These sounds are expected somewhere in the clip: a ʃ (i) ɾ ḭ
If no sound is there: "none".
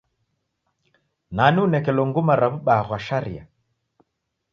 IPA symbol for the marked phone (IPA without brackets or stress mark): a